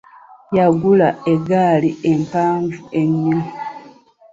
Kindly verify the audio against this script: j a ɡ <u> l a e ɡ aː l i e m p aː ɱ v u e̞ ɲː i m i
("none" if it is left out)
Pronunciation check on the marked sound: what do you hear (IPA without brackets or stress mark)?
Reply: u